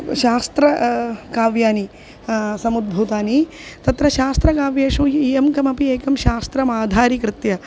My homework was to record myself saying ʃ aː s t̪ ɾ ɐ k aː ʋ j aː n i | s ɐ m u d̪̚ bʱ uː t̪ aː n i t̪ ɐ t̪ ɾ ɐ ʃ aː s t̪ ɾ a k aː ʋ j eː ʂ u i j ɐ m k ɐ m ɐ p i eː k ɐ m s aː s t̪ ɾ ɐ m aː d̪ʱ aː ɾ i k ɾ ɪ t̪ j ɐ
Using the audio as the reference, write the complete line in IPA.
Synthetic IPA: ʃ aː s t̪ ɾ ɐ k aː ʋ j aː n i | s ɐ m u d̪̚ bʱ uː t̪ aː n i t̪ ɐ t̪ ɾ ɐ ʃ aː s t̪ ɾ ɐ k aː ʋ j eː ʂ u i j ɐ m k ɐ m ɐ p i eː k ɐ m ʃ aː s t̪ ɾ ɐ m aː d̪ʱ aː ɾ i k ɾ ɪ t̪ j ɐ